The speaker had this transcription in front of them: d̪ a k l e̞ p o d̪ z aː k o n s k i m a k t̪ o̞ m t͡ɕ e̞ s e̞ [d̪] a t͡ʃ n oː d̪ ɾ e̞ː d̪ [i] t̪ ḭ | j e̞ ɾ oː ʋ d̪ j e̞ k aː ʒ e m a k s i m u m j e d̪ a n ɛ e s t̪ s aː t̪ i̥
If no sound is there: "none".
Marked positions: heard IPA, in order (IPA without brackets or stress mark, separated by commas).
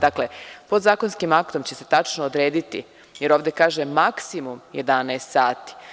t̪, i